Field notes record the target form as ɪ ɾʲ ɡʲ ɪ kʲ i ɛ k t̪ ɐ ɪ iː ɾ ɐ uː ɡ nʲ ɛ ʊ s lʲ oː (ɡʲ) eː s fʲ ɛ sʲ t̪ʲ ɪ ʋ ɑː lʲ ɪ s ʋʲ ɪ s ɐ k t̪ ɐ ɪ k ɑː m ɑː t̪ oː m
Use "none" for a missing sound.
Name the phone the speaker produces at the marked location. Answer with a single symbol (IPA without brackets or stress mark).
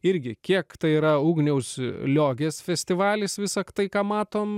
ɡʲ